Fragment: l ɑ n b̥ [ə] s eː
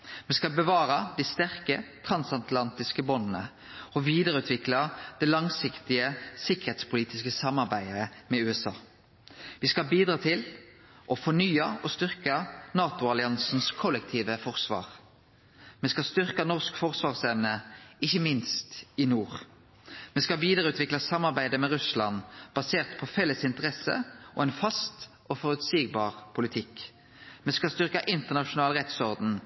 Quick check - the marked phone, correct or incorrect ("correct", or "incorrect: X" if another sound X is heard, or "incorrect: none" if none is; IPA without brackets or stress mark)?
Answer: incorrect: ɑ